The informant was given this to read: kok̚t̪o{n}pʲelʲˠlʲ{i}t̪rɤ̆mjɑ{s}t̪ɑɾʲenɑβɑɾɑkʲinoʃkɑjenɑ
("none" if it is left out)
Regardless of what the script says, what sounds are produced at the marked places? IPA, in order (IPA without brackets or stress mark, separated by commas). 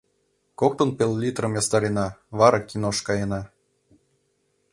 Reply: n, i, s